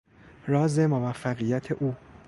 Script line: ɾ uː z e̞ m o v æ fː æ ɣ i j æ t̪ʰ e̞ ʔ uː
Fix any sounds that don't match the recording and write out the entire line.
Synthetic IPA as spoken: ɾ ɒː z e̞ m o v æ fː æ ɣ i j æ t̪ʰ e̞ ʔ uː